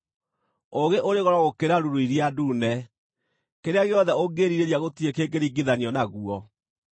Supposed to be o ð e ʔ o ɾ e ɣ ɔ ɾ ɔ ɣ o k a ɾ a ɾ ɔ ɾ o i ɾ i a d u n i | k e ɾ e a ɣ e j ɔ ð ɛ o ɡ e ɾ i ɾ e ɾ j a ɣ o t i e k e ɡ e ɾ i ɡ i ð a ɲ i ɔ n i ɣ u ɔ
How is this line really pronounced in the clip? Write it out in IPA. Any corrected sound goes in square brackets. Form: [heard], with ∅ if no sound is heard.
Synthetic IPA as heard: o [ɣ] e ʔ o ɾ e ɣ ɔ ɾ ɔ ɣ o k [e] ɾ a ɾ [u] ɾ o i ɾ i a d u n [ɛ] | k e ɾ e a ɣ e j ɔ ð ɛ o ɡ e ɾ i ɾ e ɾ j a ɣ o t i e k e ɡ e ɾ i ɡ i ð a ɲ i ɔ n [a] ɣ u ɔ

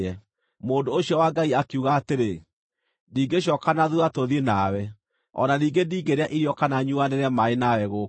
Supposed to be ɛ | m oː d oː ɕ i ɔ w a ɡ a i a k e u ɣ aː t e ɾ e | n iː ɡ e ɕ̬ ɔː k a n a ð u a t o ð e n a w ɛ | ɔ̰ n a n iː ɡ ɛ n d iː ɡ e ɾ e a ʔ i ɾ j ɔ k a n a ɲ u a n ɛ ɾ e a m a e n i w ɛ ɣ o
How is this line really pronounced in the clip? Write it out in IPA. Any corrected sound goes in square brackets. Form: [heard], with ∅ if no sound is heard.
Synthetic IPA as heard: ɛ | m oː d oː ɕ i ɔ w a ɡ a i a k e u ɣ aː t e ɾ e | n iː ɡ e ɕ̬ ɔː k a n a ð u a t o ð e n a w ɛ | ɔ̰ n a n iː ɡ [e] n d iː ɡ e ɾ e a ʔ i ɾ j ɔ k a n a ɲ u a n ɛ ɾ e a m a e n [a] w ɛ ɣ o

